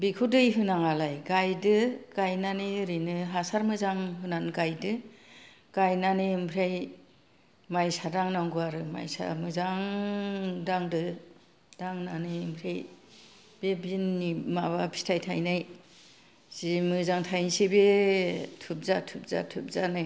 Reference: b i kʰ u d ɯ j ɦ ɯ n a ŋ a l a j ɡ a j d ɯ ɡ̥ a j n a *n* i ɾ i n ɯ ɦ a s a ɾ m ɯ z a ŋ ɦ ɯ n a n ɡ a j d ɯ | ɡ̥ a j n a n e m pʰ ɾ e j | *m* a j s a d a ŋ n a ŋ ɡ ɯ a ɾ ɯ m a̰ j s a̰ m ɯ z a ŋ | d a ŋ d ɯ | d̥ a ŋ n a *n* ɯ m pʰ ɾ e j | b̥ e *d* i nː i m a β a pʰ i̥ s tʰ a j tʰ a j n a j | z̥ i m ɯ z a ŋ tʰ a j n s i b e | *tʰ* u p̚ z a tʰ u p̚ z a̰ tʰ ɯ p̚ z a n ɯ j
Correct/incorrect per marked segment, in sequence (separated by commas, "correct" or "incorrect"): correct, correct, correct, incorrect, correct